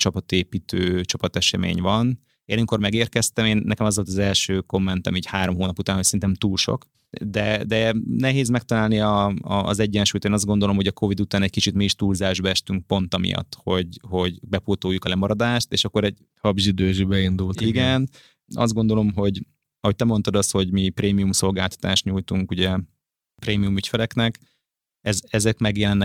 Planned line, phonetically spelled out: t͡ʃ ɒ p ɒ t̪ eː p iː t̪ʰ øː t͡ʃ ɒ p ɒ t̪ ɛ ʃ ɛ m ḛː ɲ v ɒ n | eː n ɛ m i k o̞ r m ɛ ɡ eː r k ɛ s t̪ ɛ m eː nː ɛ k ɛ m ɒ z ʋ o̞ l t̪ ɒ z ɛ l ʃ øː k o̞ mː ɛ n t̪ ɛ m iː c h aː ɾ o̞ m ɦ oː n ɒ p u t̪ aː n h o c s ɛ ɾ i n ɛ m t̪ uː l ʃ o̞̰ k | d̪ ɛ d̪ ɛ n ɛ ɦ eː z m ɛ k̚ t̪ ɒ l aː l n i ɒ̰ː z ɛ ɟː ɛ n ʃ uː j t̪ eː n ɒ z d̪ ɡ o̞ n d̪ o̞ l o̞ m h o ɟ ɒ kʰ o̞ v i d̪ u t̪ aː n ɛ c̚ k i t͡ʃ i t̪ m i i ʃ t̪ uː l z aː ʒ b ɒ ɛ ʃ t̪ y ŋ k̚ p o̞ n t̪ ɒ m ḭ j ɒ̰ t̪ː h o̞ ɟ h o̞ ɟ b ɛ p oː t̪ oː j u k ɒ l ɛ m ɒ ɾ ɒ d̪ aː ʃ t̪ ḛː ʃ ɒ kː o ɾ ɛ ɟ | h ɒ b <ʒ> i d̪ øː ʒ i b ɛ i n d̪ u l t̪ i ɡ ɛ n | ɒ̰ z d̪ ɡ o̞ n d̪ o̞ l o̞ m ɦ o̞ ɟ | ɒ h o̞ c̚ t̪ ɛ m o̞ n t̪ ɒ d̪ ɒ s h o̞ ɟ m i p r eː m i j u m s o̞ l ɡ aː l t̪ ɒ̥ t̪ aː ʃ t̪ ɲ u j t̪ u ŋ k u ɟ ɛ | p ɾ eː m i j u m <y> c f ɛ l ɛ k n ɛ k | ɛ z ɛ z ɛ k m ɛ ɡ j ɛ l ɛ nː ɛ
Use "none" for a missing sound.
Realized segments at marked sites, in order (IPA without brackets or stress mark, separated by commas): ʒ, y